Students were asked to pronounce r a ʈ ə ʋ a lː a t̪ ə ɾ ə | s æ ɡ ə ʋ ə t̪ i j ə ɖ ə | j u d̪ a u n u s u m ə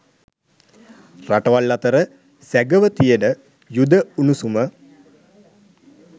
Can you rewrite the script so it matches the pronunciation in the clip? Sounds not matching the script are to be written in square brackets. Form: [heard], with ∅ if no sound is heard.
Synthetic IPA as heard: r a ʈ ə ʋ a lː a t̪ ə ɾ ə | s æ ɡ ə ʋ ə t̪ i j ə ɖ ə | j u d̪ [ə] u n u s u m ə